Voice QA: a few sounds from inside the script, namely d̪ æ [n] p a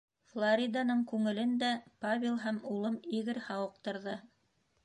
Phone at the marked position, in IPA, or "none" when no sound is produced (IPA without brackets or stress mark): none